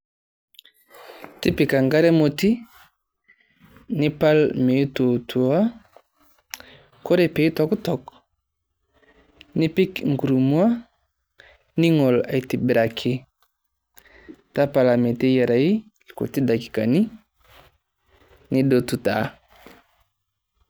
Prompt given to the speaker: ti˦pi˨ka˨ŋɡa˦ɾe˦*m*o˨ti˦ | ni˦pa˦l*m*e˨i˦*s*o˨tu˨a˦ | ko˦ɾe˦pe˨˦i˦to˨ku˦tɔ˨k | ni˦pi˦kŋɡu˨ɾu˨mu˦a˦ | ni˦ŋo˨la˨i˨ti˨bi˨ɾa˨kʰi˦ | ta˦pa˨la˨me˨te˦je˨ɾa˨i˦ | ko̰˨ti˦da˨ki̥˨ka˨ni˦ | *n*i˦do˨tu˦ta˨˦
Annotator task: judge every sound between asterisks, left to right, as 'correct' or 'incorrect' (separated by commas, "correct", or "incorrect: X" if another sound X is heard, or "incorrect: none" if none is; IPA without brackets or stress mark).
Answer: correct, correct, incorrect: t, correct